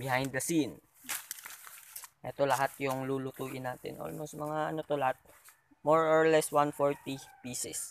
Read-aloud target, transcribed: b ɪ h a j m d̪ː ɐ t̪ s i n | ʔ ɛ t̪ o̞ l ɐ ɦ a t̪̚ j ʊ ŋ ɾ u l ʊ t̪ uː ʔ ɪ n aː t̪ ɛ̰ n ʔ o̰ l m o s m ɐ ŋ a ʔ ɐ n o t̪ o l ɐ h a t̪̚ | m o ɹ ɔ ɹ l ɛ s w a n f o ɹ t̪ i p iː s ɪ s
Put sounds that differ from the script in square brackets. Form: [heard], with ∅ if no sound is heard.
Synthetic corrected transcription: b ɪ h a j [n] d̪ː ɐ [∅] s i n | ʔ ɛ t̪ o̞ l ɐ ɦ a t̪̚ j ʊ ŋ [l] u l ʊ t̪ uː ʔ ɪ n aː t̪ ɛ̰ n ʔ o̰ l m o s m ɐ ŋ a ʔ ɐ n o t̪ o l ɐ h a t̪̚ | m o ɹ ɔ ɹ l ɛ s w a n f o ɹ t̪ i p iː s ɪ s